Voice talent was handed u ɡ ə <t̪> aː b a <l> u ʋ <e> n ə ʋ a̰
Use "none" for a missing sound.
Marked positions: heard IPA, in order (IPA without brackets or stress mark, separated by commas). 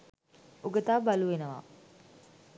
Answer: t̪, l, e